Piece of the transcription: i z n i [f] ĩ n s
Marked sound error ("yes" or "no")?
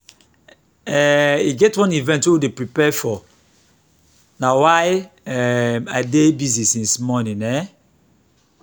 yes